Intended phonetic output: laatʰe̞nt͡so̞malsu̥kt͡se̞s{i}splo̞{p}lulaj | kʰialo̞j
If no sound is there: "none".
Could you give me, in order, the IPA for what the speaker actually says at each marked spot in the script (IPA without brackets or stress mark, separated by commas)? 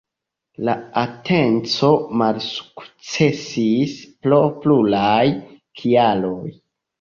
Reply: i, p